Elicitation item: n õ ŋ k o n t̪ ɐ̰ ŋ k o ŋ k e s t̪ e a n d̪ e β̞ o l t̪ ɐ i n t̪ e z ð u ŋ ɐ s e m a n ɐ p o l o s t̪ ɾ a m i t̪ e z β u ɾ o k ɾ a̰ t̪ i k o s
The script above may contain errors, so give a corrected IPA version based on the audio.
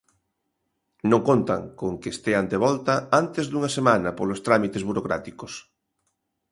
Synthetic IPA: n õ ŋ k o n t̪ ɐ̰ ŋ k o ŋ k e s t̪ e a n d̪ e β̞ ɔ l t̪ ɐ a n t̪ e z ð u ŋ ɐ s e m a n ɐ p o l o s t̪ ɾ a m i t̪ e z β u ɾ o k ɾ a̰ t̪ i k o s